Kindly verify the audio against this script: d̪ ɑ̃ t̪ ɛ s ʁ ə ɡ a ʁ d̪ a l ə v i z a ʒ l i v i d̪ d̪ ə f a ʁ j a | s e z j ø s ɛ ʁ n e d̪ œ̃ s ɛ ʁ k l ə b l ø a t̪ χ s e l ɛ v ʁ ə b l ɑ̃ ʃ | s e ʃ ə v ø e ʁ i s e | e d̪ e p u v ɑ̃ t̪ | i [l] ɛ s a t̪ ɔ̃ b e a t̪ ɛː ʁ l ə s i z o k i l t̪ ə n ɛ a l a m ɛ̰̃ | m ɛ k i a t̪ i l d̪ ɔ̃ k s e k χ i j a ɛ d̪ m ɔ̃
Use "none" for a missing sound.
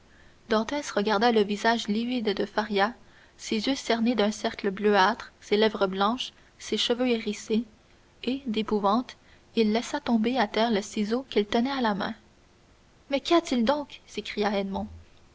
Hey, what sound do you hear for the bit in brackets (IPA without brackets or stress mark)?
lː